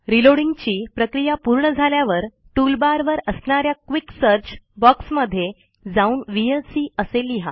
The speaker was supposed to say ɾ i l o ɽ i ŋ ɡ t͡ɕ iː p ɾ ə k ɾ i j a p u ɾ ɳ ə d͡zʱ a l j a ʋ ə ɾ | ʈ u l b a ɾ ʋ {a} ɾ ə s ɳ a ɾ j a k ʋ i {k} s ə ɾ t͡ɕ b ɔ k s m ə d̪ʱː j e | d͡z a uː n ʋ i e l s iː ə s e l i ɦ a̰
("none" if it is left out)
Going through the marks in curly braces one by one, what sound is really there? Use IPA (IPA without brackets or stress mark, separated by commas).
ə, k